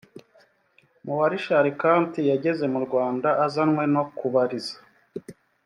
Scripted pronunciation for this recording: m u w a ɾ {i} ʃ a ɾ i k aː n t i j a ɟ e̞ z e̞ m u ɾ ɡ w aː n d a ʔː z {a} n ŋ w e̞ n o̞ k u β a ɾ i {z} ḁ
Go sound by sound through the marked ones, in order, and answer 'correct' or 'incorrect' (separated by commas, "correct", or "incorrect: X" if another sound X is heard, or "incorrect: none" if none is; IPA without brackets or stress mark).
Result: correct, correct, correct